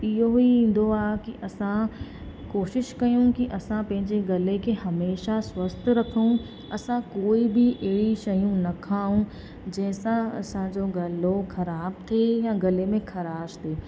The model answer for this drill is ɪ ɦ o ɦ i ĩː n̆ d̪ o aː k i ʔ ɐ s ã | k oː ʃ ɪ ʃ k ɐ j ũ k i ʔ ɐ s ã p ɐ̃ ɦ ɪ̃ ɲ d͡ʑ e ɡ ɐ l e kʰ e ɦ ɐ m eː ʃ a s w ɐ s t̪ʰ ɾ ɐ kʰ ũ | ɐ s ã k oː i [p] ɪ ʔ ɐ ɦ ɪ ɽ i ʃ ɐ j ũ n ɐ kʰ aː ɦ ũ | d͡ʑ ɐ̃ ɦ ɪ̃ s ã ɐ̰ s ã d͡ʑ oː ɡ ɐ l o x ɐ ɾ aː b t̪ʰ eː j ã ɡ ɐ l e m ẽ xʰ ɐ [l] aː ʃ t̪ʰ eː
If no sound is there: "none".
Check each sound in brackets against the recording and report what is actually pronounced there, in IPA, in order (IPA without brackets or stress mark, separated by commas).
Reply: b, ɾ